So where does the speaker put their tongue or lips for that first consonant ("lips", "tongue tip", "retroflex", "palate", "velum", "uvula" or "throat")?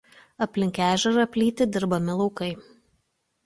lips